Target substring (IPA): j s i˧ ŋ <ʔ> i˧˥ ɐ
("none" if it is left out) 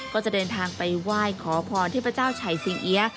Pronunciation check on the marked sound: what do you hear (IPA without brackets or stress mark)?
ʔ